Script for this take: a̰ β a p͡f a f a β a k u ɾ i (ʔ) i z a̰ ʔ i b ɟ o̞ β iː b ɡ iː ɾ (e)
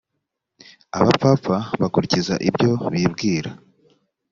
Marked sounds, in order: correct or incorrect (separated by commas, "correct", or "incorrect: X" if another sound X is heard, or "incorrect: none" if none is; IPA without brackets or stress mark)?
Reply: incorrect: c, incorrect: a